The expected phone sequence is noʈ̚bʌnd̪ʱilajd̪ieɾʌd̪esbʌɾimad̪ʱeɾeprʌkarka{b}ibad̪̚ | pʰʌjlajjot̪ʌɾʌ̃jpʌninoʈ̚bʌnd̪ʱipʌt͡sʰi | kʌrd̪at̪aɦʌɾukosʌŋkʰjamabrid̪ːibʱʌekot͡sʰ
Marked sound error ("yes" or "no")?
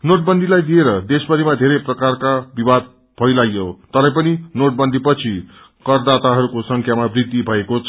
no